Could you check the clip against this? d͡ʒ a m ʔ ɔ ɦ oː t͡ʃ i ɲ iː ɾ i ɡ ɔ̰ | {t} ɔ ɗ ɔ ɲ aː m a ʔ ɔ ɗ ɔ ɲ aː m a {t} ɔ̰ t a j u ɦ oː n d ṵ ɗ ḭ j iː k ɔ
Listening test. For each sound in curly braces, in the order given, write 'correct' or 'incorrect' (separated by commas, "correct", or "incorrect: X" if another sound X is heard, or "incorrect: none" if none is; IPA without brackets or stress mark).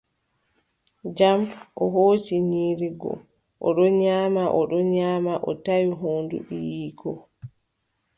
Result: incorrect: ʔ, incorrect: ʔ